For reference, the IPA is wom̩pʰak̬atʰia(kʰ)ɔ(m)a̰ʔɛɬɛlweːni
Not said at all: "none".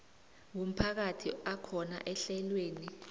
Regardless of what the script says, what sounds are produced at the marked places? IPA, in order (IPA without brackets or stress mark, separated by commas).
kʰ, n